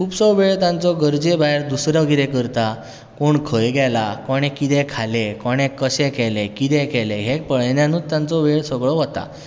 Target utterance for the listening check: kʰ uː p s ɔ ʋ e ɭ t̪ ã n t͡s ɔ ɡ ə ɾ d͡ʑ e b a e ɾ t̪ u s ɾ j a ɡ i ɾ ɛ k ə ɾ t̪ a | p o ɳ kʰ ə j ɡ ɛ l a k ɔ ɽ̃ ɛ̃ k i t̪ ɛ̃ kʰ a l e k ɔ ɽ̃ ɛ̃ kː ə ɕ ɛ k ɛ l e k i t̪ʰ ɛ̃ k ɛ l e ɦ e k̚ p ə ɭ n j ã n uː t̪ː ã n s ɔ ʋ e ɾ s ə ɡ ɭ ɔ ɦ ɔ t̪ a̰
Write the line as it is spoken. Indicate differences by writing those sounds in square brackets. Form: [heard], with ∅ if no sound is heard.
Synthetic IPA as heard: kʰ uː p s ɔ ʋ e ɭ t̪ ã n t͡s ɔ ɡ ə ɾ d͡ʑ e b a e ɾ [d̪] u s ɾ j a ɡ i ɾ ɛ k ə ɾ t̪ a | [k] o ɳ kʰ ə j ɡ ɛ l a k ɔ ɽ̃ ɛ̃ k i t̪ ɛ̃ kʰ a l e k ɔ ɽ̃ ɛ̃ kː ə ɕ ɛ k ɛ l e k i [t̪] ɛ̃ k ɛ l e ɦ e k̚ p ə ɭ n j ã n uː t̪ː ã n [t͡s] ɔ ʋ e [ɭ] s ə ɡ ɭ ɔ ɦ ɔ t̪ a̰